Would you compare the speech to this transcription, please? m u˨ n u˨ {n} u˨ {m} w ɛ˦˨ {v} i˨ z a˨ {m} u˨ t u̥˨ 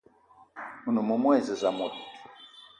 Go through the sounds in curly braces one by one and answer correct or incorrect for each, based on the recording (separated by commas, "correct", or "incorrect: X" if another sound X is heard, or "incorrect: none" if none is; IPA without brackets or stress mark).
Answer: incorrect: m, correct, incorrect: z, correct